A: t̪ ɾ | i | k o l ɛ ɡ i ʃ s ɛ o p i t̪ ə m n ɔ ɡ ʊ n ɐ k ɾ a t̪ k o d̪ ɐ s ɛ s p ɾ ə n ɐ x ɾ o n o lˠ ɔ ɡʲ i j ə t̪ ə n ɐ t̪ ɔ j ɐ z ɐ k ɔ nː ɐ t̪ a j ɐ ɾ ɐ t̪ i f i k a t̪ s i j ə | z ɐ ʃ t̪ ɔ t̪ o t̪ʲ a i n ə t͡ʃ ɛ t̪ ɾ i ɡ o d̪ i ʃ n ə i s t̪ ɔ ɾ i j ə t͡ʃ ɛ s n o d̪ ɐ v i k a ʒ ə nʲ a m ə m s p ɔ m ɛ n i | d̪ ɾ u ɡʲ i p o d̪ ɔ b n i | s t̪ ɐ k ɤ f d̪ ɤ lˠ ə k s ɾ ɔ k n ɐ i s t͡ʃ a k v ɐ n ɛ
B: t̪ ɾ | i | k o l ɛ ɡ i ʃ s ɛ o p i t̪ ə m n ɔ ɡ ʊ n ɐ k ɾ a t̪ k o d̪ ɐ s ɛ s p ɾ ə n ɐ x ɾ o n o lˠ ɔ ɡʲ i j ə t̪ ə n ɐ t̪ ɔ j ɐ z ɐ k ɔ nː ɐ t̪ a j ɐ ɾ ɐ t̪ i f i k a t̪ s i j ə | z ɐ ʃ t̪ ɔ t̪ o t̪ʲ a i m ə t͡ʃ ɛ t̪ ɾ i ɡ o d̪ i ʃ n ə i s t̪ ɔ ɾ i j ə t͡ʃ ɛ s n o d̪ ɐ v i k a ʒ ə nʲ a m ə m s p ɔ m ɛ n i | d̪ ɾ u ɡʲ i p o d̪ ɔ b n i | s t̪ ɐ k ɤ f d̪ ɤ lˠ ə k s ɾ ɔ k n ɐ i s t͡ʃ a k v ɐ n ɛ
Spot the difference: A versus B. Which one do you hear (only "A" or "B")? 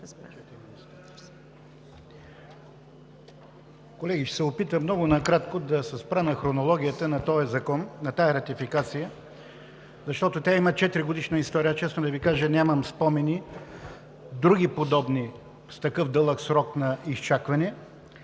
B